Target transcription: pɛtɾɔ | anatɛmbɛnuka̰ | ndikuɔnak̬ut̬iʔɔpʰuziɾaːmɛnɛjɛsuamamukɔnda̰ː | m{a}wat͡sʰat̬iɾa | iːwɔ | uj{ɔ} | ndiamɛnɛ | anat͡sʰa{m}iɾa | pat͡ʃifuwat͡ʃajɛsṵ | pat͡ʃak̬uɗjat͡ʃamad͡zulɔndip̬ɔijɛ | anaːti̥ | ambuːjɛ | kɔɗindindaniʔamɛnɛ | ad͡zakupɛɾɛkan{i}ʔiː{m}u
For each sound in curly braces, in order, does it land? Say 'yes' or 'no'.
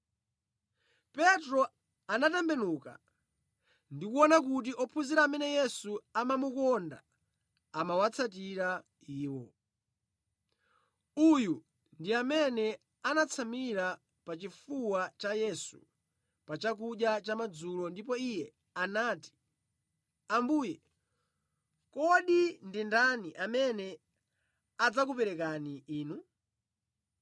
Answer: yes, no, yes, yes, no

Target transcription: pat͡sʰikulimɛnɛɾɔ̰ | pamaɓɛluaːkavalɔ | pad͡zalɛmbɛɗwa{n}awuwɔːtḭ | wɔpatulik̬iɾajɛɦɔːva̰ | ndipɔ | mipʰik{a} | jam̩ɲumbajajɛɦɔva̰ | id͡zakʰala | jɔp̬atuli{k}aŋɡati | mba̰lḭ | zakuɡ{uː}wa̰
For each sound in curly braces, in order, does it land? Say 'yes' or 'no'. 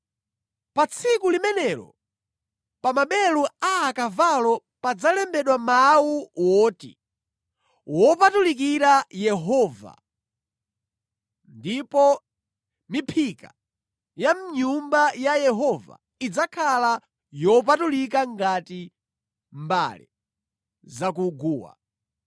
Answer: no, yes, yes, yes

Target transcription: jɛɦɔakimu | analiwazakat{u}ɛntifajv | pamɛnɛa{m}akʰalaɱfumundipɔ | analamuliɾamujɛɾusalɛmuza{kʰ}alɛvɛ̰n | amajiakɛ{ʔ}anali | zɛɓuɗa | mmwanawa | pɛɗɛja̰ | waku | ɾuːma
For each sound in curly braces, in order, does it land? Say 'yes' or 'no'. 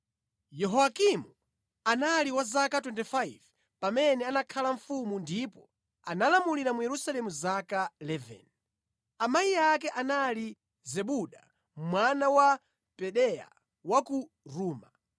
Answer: no, no, no, yes

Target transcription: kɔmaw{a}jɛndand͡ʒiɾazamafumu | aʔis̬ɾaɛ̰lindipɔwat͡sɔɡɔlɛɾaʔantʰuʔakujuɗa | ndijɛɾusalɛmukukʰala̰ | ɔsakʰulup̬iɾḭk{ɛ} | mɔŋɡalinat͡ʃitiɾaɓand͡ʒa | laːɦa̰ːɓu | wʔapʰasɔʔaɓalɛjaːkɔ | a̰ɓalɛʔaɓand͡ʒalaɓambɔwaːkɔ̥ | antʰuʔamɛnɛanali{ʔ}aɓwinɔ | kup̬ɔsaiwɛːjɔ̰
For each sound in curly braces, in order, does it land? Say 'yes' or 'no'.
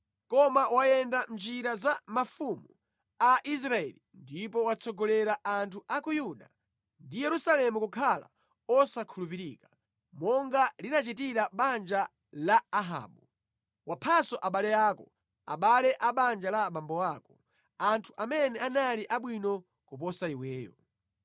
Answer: yes, no, yes

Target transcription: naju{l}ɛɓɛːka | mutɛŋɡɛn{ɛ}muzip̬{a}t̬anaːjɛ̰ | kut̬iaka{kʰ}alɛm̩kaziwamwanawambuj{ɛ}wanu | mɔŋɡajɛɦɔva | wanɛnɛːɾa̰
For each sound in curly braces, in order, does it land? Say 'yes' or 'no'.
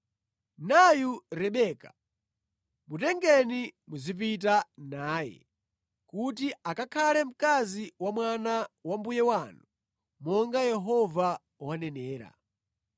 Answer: no, no, no, yes, yes

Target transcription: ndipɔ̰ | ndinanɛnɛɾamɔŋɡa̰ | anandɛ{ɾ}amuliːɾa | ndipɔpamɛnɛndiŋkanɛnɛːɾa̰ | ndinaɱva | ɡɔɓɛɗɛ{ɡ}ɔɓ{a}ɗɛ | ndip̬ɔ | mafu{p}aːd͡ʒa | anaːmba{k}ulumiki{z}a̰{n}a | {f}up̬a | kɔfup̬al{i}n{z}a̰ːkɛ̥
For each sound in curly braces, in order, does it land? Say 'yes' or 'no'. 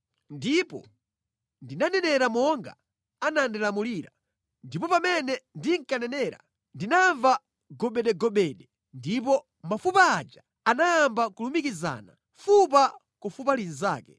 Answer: no, yes, no, yes, yes, yes, yes, yes, yes, yes

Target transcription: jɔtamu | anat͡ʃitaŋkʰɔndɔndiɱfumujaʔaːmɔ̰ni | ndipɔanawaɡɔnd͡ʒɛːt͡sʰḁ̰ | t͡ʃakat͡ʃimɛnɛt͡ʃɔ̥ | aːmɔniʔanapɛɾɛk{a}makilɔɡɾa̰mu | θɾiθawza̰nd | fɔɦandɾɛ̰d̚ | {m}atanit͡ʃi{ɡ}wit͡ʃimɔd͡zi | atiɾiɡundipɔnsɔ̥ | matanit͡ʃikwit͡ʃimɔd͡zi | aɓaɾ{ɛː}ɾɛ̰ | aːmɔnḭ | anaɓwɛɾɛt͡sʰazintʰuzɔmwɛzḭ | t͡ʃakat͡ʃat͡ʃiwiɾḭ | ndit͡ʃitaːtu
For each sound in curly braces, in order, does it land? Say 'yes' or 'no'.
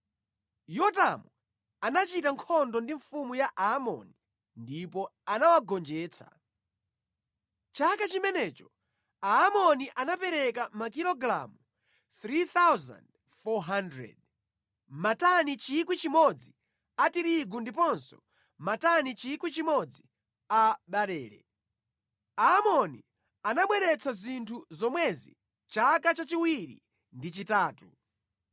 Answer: yes, yes, no, yes

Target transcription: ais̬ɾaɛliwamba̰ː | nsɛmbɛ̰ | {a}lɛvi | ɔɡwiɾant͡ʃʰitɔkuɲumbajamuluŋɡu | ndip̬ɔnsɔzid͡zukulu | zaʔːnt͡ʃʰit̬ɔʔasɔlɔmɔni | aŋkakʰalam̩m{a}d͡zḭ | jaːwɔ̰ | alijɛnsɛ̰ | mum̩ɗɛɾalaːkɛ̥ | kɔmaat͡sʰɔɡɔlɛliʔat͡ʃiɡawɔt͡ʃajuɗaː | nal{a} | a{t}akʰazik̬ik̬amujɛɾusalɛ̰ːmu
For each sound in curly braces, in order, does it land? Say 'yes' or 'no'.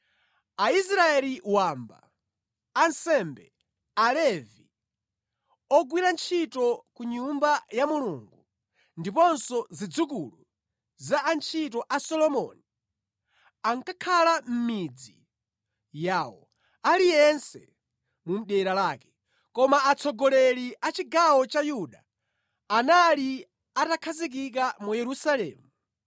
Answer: yes, no, no, yes

